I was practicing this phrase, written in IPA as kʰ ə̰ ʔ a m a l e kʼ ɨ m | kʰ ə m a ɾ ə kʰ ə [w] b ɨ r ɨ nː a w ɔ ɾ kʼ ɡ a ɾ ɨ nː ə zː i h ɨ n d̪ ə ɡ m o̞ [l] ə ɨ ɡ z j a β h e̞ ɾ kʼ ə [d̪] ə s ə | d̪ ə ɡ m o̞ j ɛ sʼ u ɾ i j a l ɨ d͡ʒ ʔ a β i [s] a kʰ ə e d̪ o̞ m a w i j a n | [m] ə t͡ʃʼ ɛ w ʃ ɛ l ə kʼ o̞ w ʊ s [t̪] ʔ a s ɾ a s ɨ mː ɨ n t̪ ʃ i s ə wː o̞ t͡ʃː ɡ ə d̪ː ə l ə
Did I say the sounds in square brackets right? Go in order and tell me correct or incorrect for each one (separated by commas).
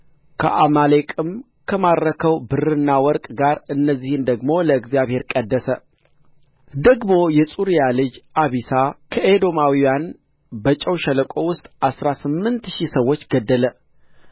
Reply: correct, correct, incorrect, correct, incorrect, incorrect